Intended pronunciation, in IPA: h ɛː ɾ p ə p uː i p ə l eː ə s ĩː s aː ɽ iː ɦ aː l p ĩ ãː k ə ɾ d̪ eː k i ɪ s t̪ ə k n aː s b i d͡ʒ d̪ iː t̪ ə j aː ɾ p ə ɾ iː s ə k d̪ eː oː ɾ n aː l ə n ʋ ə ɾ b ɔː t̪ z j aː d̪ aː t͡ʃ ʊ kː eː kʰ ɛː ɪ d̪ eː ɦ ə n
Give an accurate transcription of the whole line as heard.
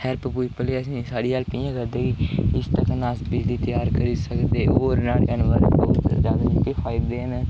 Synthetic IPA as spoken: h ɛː ɾ p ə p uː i p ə l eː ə s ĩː s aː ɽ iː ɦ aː l p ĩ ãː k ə ɾ d̪ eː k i ɪ s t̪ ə k n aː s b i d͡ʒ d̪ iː t̪ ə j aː ɾ k ə ɾ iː s ə k d̪ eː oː ɾ n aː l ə n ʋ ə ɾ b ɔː t̪ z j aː d̪ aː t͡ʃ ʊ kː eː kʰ aː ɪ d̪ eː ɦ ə n